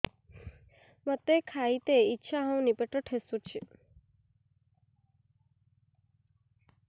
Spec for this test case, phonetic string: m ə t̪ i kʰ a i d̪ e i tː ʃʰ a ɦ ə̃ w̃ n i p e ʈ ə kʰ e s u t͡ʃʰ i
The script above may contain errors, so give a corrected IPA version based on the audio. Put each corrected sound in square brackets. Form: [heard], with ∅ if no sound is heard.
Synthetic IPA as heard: m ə t̪ [e] kʰ a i [t̪] e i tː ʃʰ a ɦ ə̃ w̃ n i p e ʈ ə [ʈʰ] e s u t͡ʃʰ i